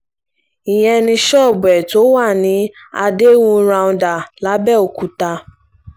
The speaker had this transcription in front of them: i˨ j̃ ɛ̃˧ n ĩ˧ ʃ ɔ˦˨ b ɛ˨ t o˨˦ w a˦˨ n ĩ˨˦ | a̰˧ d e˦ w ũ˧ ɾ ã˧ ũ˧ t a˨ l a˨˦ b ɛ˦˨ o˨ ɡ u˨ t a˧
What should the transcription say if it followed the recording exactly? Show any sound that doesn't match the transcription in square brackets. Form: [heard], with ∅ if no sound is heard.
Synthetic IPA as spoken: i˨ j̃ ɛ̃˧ n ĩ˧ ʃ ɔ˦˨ b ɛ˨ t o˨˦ w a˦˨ n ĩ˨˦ | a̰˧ d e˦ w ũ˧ ɾ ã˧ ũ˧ [d] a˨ l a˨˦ b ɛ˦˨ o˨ [k] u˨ t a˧

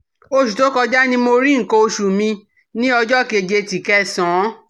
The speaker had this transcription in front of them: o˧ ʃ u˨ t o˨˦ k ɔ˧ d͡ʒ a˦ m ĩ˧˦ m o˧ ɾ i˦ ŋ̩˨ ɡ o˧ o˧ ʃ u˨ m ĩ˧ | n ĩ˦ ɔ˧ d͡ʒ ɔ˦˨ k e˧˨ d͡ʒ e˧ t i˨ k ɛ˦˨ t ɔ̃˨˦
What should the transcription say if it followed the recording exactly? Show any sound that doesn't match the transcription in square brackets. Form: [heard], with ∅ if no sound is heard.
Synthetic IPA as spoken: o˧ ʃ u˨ t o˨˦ k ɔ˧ d͡ʒ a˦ [n] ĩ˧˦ m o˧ ɾ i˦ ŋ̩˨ [k] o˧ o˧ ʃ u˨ m ĩ˧ | n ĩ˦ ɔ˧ d͡ʒ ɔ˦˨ k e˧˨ d͡ʒ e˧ t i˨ k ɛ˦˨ [s] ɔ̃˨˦

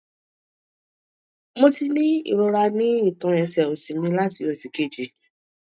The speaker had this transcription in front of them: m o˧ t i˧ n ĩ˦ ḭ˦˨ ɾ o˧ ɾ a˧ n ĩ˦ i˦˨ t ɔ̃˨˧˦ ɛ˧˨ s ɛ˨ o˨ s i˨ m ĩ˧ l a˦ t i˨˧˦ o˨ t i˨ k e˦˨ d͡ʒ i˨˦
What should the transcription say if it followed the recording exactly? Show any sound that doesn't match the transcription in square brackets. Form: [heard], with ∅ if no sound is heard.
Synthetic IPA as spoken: m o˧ t i˧ n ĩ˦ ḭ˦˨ ɾ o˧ ɾ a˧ n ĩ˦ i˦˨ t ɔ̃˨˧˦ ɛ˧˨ s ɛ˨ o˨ s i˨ m ĩ˧ l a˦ t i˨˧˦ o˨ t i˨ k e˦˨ d͡ʒ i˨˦

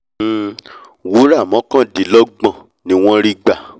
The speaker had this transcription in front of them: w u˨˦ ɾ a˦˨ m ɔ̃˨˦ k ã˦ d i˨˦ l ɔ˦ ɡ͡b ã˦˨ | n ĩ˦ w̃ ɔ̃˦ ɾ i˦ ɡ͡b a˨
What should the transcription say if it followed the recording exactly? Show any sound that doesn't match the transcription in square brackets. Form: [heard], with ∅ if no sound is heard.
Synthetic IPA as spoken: w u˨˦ ɾ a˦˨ m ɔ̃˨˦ k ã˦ d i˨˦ l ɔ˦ ɡ͡b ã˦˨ | n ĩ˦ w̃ ɔ̃˦ ɾ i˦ ɡ͡b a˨

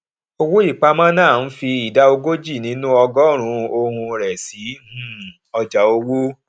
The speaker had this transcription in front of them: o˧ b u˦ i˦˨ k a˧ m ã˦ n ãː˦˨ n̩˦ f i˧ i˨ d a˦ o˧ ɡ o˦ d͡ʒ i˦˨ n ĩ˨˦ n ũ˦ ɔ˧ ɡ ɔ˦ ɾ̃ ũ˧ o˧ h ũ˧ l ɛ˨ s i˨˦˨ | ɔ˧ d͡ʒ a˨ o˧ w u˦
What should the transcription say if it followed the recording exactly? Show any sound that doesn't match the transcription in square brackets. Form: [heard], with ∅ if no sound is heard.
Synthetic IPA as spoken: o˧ [w] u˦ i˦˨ [k͡p] a˧ m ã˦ n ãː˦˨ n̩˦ f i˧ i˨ d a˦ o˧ ɡ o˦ d͡ʒ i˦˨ n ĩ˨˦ n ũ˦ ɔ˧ ɡ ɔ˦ ɾ̃ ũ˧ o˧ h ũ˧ [ɾ] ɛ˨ s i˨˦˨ | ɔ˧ d͡ʒ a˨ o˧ w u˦

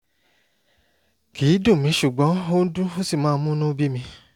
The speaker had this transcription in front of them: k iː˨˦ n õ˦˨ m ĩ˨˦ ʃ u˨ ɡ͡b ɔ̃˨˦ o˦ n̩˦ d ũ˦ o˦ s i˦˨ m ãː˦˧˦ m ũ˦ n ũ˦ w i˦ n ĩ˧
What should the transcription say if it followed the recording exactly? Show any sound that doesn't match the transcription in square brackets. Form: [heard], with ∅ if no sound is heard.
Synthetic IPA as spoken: k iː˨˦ [d] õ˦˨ m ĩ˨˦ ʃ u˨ ɡ͡b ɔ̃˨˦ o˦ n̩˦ d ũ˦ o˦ s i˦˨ m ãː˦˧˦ m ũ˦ n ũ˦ [b] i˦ [m] ĩ˧

